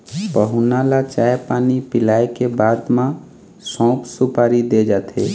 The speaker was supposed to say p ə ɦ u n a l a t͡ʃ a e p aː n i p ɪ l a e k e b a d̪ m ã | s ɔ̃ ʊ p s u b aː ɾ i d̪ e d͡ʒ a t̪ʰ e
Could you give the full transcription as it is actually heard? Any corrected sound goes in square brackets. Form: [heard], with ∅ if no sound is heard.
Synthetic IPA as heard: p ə ɦ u n a l a t͡ʃ a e p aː n i p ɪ l a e k e b a d̪ m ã | s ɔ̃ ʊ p s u [p] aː ɾ i d̪ e d͡ʒ a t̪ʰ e